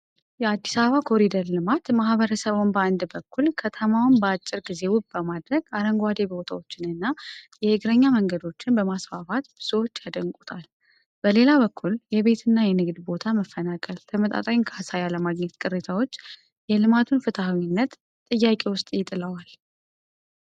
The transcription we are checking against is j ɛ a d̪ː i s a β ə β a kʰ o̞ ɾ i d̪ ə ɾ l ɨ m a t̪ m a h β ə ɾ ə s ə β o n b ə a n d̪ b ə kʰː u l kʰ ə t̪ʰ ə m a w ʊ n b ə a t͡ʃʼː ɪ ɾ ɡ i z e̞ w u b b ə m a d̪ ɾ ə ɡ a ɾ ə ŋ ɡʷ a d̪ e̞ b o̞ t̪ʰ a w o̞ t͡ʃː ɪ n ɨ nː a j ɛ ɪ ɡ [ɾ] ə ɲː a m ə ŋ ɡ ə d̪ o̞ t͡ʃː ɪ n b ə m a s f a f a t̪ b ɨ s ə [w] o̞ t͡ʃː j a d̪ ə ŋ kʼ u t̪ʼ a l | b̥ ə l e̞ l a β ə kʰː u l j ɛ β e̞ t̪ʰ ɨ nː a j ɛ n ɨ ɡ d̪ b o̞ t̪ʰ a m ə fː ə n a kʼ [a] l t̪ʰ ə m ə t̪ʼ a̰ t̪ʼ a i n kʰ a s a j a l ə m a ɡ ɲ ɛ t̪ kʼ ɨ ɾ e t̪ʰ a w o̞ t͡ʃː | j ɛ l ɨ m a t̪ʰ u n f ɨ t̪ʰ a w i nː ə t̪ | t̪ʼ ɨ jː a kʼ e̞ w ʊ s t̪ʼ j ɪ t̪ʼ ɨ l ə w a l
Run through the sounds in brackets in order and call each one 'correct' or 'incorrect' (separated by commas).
correct, correct, incorrect